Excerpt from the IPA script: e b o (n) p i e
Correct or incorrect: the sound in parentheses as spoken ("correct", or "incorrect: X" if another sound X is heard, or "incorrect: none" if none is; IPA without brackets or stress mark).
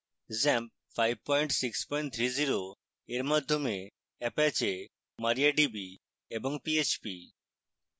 incorrect: ŋ